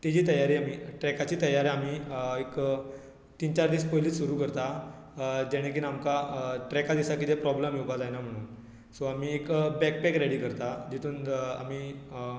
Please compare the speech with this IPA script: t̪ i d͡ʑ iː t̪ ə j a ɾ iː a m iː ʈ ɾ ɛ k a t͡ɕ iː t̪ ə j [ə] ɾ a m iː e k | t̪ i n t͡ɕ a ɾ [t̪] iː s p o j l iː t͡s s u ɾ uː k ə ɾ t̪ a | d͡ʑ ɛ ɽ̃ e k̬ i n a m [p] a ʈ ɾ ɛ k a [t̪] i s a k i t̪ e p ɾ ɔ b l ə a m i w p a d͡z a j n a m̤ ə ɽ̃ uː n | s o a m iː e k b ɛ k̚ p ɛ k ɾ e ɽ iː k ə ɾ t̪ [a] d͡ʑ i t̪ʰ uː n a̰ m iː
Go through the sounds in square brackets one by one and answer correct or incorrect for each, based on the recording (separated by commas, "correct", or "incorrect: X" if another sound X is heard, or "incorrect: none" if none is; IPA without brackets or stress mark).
incorrect: a, incorrect: d̪, incorrect: k, incorrect: d̪, correct